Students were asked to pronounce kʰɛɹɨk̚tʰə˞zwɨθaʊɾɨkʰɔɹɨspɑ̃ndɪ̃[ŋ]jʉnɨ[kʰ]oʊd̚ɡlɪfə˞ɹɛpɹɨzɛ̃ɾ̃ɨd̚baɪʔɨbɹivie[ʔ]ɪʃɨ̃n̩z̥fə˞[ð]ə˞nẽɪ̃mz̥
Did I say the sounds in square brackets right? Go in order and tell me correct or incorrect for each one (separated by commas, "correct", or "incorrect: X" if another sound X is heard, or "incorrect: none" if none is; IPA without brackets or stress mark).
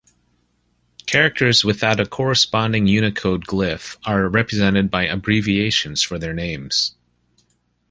correct, correct, incorrect: none, correct